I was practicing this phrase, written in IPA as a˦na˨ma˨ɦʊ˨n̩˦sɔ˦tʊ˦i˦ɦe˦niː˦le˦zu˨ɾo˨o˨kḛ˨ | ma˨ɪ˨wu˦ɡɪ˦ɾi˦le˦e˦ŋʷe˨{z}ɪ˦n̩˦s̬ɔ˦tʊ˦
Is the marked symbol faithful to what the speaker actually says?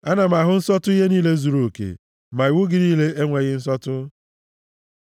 no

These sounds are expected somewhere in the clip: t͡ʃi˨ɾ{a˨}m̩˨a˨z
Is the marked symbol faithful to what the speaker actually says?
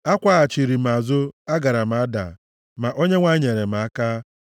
no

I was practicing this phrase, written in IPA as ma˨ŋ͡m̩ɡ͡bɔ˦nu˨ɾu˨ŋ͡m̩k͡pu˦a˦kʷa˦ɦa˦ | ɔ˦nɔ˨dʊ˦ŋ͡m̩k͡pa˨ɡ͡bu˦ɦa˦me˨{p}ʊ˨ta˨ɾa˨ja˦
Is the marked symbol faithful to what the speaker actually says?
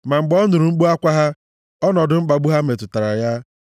no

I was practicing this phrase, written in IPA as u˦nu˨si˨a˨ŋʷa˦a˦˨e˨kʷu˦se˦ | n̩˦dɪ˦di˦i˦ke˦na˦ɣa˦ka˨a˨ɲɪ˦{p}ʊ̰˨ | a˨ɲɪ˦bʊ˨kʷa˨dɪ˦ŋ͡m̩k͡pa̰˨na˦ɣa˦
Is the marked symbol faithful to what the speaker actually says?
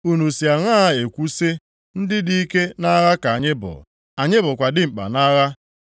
no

